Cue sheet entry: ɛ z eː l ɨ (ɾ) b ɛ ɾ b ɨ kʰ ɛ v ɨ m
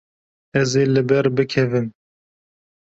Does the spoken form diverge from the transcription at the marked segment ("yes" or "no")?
yes